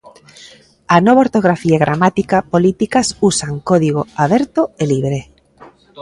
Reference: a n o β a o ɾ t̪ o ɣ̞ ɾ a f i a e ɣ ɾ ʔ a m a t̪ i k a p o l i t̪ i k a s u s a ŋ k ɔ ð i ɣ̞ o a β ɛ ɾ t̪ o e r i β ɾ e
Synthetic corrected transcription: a n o β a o ɾ t̪ o ɣ̞ ɾ a f i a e ɣ ɾ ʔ a m a t̪ i k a p o l i t̪ i k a s u s a ŋ k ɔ ð i ɣ̞ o a β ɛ ɾ t̪ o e l i β ɾ e